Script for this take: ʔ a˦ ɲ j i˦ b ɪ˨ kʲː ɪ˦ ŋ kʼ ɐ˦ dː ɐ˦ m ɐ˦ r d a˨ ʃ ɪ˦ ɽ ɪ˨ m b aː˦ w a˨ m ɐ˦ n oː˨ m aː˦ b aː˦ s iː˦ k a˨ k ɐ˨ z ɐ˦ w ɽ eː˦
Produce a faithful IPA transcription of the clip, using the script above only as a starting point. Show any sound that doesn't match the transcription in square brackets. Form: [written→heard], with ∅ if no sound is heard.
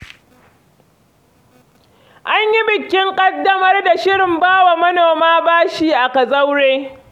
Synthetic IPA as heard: ʔ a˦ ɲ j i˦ b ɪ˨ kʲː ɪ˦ ŋ kʼ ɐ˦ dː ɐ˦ m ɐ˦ r d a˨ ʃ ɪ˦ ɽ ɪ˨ m b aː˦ w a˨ m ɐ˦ n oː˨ m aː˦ b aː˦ [s→ʃ] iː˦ [k→ʔ] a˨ k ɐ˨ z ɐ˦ w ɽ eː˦